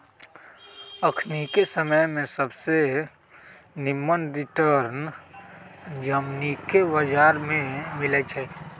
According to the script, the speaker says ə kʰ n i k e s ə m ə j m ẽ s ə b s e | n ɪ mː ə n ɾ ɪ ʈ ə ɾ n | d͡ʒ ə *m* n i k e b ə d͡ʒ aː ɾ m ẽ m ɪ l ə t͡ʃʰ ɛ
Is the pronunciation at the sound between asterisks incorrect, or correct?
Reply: correct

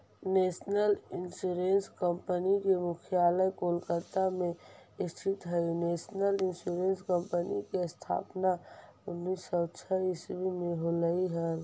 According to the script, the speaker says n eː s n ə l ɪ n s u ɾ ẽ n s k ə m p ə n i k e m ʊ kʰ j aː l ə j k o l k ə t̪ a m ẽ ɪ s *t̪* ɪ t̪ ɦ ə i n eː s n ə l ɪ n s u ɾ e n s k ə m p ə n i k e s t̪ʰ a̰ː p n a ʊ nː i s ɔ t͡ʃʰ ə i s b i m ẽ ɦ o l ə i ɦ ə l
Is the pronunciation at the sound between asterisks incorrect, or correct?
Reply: incorrect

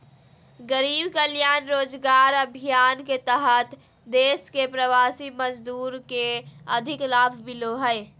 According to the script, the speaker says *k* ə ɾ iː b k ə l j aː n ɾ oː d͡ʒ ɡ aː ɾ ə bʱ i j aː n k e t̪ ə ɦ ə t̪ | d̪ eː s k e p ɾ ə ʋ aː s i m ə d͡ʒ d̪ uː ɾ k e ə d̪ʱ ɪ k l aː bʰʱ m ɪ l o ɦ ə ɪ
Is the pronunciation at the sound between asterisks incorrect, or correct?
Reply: incorrect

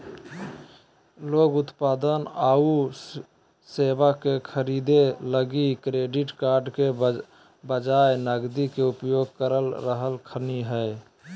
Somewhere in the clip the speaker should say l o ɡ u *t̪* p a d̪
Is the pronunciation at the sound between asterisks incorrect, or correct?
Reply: correct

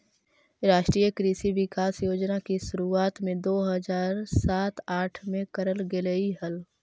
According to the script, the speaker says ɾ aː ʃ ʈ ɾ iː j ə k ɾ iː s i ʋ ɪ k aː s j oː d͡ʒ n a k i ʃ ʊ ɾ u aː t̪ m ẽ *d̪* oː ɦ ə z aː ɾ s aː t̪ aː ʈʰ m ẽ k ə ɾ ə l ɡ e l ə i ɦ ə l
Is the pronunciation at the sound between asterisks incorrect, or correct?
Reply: correct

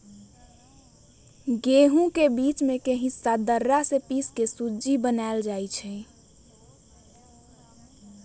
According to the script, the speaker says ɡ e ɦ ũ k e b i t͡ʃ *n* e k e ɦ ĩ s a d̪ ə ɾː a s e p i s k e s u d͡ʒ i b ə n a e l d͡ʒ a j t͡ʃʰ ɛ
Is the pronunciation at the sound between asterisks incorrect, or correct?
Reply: incorrect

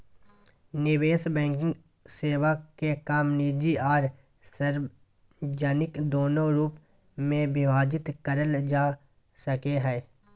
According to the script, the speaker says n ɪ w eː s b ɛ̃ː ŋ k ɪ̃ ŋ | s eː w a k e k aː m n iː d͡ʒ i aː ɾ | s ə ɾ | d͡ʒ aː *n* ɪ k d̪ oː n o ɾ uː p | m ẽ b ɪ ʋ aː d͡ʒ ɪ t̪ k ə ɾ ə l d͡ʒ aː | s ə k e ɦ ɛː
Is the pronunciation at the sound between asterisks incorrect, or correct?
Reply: correct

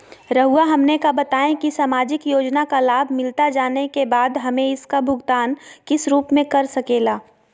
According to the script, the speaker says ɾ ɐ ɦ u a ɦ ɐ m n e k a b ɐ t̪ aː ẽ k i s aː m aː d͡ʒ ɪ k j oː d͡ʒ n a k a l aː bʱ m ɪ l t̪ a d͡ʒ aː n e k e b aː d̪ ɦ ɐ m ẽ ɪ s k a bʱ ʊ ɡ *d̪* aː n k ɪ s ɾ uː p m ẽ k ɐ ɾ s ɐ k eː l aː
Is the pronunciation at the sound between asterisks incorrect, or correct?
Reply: incorrect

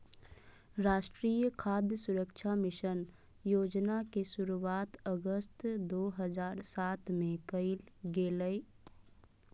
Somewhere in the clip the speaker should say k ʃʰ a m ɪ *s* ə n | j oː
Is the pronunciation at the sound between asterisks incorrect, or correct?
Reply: incorrect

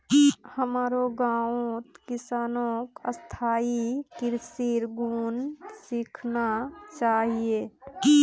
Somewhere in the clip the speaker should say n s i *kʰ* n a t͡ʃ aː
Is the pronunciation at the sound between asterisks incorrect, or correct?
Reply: correct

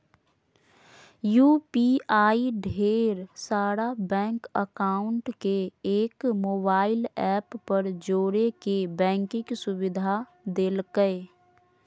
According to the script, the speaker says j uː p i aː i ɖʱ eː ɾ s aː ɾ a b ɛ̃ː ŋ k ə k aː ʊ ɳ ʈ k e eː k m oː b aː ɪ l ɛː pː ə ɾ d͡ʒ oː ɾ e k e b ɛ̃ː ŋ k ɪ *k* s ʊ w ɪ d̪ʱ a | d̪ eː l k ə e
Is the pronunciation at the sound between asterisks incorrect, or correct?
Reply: correct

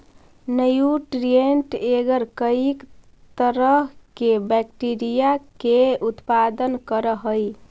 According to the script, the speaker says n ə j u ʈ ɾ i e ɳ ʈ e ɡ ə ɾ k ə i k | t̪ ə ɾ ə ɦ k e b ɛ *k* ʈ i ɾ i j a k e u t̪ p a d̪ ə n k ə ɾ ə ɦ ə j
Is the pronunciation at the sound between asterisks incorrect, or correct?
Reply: correct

